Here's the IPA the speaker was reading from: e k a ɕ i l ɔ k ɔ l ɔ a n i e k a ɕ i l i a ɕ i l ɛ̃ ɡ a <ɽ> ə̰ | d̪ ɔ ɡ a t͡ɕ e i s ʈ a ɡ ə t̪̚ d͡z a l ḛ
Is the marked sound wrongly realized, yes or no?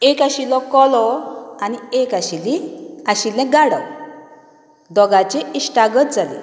no